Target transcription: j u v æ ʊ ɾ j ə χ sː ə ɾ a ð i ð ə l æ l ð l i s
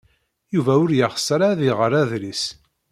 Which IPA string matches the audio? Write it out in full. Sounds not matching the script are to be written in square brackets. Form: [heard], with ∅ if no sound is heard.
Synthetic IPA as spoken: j u v æ ʊ ɾ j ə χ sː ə ɾ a ð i [ʁ] ə [ɾ] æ [∅] ð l i s

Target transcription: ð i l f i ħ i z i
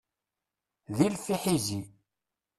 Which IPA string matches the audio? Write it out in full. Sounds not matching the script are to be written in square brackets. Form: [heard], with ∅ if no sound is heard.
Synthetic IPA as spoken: ð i l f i ħ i z i

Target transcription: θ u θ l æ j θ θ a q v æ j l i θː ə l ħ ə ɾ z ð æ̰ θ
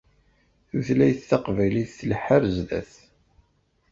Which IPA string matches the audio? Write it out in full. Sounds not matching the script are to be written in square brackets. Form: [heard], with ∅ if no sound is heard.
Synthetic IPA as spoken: θ u θ l æ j θ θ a q v æ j l i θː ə l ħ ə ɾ z ð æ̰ θ

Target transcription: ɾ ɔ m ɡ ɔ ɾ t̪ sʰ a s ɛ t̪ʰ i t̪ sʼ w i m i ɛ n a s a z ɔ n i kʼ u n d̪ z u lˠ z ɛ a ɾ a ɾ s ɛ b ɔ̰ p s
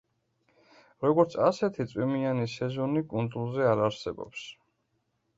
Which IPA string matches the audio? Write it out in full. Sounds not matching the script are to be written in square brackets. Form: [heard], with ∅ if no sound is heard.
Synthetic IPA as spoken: ɾ ɔ [∅] ɡ ɔ ɾ t̪ sʰ a s ɛ t̪ʰ i t̪ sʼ w i m i [a] n [i] s [ɛ] z ɔ n i kʼ u n d̪ z u lˠ z ɛ a ɾ a ɾ s ɛ b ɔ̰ p s

